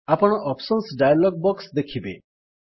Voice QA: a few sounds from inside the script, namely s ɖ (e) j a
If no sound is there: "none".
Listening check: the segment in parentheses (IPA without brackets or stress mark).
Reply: a